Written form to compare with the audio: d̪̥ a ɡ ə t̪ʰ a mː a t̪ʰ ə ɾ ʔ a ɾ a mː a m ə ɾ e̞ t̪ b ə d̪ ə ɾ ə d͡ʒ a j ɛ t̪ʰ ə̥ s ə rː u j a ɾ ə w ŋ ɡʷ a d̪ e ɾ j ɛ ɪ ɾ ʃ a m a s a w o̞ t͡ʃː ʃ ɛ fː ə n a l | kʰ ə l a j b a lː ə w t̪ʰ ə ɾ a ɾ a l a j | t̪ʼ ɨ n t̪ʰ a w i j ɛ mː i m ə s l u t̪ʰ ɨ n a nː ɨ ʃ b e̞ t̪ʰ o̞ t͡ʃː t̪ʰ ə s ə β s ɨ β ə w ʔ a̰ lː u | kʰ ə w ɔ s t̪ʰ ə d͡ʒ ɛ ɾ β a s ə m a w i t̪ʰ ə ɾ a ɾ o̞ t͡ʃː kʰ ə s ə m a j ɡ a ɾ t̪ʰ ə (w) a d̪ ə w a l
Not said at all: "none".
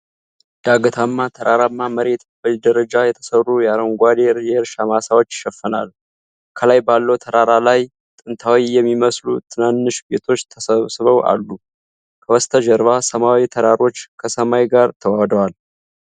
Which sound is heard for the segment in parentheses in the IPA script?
w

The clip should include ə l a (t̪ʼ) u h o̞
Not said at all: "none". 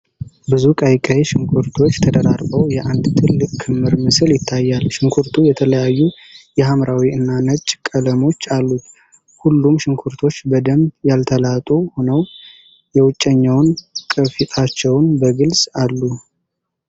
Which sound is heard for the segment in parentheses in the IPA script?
t̪ʼ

